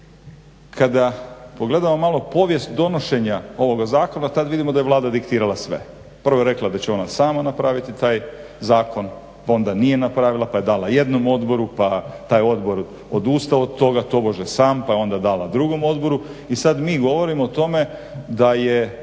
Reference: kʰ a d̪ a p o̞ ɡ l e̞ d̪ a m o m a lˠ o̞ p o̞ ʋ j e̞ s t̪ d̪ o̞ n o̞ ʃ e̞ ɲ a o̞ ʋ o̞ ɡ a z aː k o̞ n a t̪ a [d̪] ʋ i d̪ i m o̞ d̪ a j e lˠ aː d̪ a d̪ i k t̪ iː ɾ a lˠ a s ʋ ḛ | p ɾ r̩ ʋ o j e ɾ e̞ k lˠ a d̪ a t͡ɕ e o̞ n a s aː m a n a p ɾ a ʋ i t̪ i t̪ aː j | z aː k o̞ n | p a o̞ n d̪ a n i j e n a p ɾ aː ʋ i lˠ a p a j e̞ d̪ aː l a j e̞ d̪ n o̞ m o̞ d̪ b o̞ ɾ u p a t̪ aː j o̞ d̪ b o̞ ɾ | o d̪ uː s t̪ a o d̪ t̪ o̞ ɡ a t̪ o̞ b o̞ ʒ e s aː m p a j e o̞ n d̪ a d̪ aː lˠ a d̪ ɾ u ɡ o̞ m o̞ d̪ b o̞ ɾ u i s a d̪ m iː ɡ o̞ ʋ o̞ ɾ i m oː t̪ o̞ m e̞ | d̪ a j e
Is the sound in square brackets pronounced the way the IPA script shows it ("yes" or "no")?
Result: yes